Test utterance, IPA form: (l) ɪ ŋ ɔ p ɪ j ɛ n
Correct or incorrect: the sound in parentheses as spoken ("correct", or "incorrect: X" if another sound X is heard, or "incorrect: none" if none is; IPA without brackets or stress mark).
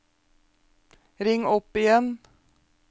incorrect: ɾ